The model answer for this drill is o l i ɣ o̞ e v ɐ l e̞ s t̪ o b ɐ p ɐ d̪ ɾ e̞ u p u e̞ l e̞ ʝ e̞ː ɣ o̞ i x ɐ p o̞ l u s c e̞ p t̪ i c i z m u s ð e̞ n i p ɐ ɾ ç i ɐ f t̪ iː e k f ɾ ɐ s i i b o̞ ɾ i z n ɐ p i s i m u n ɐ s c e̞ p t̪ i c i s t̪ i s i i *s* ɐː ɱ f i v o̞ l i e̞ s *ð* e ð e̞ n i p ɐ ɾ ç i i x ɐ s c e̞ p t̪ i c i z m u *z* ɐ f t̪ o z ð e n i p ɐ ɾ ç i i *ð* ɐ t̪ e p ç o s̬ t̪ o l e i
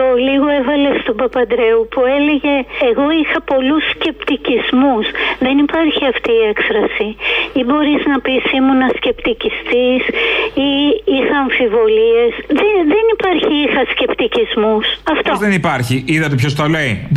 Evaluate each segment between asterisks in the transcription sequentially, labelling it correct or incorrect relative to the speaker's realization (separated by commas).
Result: incorrect, correct, incorrect, correct